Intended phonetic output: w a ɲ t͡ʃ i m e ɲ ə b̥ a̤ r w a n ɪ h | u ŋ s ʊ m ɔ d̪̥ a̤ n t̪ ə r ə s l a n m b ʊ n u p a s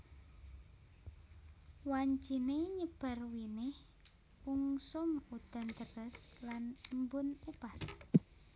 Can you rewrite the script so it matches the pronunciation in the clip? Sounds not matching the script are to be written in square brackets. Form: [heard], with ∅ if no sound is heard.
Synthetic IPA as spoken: w a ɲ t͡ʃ i [n] e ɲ ə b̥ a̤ r w [i] n ɪ h | u ŋ s ʊ m [u] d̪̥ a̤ n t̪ ə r ə s l a n m b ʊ n u p a s